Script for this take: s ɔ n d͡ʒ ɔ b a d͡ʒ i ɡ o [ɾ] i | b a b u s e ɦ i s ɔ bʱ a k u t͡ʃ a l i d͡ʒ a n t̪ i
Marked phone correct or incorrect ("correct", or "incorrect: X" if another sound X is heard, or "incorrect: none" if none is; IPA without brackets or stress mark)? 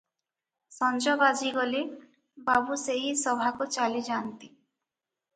incorrect: l